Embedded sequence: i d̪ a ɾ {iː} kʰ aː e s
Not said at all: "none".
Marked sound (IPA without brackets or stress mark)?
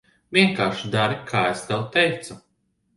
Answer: i